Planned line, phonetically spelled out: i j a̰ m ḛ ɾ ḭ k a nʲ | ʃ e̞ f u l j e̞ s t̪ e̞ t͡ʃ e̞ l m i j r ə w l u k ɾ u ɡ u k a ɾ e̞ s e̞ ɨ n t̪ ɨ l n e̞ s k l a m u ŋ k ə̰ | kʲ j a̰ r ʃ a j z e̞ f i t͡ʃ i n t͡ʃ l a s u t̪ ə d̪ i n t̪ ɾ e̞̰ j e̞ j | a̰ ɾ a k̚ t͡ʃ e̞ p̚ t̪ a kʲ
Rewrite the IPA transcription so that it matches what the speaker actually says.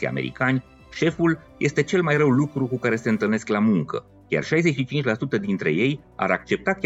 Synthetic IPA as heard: i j a̰ m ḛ ɾ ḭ k a nʲ | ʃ e̞ f u l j e̞ s t̪ e̞ t͡ʃ e̞ l m a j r ə w l u k ɾ u k u k a ɾ e̞ s e̞ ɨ n t̪ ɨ l n e̞ s k l a m u ŋ k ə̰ | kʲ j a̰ r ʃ a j z e̞ ʃ i t͡ʃ i n t͡ʃ l a s u t̪ ə d̪ i n t̪ ɾ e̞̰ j e̞ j | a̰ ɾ a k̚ t͡ʃ e̞ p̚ t̪ a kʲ